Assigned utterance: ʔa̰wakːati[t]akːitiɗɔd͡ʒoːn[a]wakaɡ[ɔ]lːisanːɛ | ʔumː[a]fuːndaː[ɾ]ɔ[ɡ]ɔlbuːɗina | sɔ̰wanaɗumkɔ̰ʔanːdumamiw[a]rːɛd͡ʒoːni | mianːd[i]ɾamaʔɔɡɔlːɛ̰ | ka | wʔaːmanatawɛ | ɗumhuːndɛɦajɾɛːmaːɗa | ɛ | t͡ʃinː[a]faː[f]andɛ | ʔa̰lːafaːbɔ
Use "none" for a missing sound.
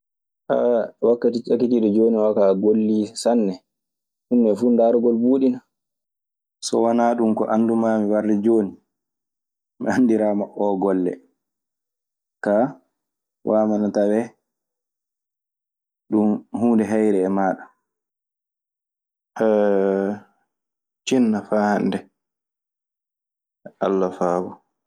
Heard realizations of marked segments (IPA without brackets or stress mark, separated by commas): t͡ʃ, i, o, ɛ, ɾ, ɡ, a, i, a, h